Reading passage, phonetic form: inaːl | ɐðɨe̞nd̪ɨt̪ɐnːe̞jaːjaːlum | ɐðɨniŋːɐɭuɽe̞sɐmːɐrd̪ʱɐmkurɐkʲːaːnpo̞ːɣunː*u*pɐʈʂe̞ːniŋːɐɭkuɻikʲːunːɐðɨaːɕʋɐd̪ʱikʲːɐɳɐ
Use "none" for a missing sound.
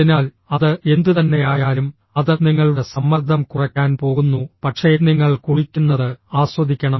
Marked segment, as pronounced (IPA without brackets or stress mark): u